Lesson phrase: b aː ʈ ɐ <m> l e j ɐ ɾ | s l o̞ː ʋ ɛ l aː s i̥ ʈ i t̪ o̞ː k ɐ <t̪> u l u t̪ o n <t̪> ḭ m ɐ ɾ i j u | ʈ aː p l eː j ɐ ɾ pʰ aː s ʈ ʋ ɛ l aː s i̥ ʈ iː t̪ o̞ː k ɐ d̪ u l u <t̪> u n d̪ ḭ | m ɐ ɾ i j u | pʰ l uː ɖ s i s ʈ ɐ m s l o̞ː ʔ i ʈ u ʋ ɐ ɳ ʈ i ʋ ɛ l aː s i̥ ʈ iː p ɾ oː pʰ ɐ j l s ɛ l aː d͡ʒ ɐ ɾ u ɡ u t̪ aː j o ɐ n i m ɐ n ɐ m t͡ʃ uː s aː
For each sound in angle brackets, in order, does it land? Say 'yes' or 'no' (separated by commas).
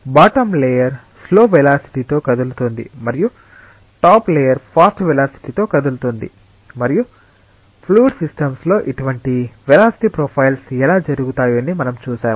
yes, no, no, yes